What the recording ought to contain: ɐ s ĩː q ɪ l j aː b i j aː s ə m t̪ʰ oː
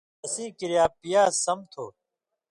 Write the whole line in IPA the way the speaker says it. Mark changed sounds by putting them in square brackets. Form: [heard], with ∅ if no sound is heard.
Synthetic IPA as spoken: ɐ s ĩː [k] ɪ [ɾ] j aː [p] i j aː s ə m t̪ʰ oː